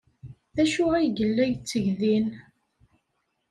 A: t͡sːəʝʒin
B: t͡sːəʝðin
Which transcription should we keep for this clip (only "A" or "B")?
B